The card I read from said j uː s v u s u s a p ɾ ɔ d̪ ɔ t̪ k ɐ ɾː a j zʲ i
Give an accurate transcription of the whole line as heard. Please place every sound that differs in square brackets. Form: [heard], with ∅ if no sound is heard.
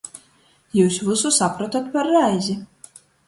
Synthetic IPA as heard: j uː s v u s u s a p ɾ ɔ [t̪] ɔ t̪ [p] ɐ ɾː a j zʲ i